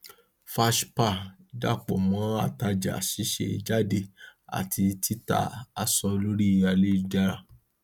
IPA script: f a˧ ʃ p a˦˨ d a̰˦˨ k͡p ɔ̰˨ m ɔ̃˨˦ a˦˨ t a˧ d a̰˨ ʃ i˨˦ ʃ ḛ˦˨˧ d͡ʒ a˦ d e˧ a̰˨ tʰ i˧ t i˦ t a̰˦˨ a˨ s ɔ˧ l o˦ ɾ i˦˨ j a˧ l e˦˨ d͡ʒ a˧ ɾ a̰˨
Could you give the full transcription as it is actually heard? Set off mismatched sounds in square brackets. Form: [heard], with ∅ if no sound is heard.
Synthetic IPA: f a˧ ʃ p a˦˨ d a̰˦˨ k͡p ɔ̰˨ m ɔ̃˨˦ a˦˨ t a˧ [d͡ʒ] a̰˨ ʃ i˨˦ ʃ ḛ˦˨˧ d͡ʒ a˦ d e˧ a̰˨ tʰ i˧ t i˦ t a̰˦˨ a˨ s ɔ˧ l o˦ ɾ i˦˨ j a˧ l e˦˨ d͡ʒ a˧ ɾ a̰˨